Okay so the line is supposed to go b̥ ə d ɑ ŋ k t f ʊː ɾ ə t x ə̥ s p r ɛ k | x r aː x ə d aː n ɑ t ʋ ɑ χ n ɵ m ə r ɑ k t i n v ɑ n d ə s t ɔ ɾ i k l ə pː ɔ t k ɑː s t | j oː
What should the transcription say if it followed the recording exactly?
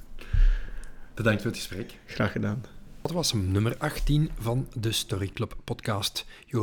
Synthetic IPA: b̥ ə d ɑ ŋ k t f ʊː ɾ ə t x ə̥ s p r ɛ k | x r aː x ə d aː n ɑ t ʋ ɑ s n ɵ m ə r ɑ x t i n v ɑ n d ə s t ɔ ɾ i k l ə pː ɔ t k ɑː s t | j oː